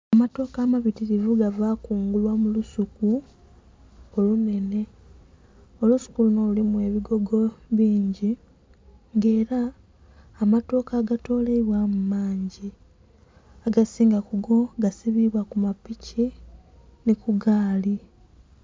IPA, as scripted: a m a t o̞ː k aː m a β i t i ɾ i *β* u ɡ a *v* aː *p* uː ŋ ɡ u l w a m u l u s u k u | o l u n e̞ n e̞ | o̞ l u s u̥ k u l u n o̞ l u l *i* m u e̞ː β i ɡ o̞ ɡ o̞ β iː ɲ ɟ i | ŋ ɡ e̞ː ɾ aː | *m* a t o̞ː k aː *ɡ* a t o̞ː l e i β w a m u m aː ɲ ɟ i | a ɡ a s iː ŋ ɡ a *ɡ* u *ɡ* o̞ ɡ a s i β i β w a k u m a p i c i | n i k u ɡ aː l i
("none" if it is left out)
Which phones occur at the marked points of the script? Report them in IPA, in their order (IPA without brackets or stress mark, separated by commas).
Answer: v, v, k, i, m, ɡ, k, ɡ